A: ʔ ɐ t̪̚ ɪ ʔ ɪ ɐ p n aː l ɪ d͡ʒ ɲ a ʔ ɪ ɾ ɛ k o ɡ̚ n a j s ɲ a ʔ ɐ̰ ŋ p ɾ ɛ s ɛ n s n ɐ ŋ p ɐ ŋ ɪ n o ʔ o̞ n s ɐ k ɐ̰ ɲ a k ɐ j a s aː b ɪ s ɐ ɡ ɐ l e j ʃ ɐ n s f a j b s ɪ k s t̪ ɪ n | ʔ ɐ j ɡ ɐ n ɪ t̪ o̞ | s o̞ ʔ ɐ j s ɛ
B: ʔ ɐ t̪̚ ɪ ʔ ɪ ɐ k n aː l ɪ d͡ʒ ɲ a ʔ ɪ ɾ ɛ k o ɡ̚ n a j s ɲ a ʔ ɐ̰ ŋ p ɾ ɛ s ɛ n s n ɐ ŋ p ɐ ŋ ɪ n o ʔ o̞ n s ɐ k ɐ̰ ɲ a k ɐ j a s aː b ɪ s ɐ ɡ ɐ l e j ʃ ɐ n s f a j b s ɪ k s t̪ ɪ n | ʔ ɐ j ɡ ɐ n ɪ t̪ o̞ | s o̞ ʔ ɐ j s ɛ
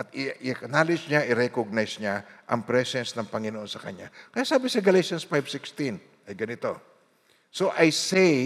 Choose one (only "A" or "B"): B